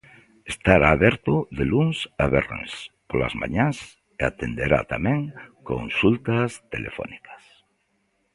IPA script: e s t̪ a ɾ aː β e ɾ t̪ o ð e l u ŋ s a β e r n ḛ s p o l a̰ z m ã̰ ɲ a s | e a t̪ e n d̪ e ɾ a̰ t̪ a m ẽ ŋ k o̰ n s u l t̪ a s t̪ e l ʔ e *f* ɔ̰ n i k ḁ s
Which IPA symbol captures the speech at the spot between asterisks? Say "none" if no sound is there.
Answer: f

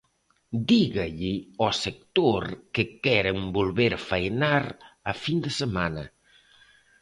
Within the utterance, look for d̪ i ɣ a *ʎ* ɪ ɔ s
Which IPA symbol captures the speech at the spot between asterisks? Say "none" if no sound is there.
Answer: ʎ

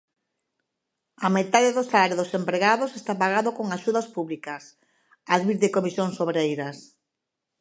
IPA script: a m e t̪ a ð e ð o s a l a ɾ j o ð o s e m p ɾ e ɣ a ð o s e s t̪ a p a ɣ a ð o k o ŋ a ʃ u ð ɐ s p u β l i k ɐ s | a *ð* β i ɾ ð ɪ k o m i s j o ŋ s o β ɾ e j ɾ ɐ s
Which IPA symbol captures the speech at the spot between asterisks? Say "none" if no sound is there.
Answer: ð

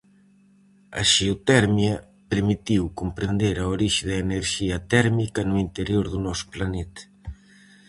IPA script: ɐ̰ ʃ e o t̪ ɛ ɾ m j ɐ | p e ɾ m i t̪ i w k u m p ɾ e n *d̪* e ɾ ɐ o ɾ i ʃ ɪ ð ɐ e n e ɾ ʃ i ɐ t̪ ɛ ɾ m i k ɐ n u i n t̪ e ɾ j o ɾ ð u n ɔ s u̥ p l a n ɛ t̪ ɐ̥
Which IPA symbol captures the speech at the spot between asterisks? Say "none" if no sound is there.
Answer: d̪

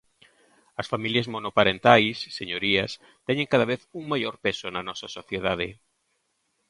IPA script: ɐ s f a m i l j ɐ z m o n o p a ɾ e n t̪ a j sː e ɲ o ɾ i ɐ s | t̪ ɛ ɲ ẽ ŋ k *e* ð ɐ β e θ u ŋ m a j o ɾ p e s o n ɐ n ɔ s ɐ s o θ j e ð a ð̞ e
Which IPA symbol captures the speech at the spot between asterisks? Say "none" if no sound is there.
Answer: a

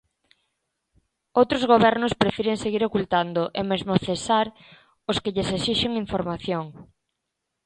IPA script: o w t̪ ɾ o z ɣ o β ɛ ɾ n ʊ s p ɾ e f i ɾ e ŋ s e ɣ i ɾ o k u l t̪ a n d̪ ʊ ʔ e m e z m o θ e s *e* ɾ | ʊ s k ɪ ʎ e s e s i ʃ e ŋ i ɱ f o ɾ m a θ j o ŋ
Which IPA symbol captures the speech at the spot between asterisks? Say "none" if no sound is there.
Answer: a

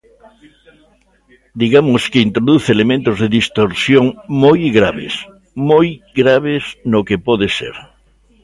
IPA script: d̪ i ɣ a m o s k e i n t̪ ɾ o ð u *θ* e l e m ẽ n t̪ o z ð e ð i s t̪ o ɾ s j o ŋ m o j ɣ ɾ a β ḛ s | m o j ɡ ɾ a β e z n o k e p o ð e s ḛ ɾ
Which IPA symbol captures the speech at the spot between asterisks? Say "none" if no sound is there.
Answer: θ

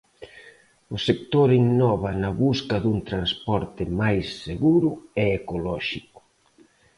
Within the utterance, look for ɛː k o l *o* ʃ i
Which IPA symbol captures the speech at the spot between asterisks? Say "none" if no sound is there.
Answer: ɔ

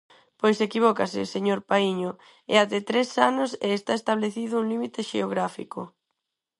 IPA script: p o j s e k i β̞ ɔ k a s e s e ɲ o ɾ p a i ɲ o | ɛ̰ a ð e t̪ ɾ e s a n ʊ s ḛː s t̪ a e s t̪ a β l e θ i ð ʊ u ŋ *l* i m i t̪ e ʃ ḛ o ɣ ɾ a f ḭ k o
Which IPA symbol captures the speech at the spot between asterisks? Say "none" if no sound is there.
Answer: l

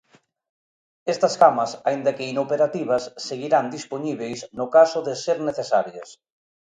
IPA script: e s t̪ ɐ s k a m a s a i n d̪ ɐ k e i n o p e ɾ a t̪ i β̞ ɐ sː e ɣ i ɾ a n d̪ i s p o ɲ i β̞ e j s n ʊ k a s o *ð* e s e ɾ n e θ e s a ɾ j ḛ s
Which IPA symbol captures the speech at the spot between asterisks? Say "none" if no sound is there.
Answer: ð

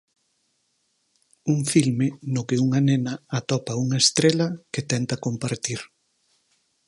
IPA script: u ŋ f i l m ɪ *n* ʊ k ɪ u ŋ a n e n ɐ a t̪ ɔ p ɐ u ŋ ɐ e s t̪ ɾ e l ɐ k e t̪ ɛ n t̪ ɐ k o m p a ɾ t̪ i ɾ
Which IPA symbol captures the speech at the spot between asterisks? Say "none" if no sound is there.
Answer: n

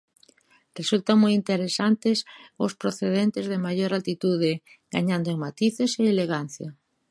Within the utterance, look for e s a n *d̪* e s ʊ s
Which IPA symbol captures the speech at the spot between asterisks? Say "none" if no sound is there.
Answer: t̪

